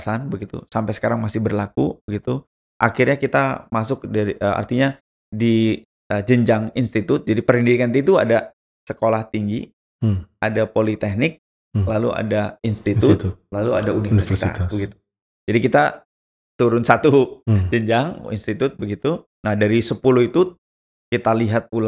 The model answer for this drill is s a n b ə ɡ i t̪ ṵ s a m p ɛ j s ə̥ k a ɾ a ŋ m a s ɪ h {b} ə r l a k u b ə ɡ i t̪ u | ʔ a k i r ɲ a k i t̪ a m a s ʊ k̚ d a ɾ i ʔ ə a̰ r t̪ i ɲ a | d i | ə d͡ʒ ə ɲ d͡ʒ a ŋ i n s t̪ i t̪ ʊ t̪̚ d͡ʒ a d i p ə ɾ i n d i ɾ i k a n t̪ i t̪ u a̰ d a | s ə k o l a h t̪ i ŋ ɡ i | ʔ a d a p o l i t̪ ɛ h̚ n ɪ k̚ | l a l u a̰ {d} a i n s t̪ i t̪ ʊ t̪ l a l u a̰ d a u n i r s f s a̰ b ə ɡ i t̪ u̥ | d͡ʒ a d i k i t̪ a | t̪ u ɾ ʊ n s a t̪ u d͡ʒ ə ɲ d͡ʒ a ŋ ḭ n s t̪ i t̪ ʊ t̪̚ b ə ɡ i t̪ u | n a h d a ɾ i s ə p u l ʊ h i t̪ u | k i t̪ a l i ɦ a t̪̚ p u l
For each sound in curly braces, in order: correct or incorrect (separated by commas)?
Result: correct, correct